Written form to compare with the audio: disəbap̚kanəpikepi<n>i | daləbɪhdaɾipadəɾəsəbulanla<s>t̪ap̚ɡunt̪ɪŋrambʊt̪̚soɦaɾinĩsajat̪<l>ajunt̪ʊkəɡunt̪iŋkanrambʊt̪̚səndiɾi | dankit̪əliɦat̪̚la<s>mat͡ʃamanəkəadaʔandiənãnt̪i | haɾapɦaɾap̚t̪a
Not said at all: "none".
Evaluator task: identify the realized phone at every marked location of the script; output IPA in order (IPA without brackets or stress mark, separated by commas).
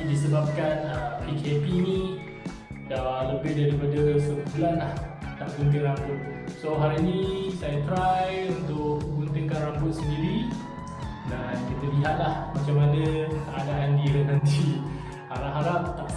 n, h, ɾ, h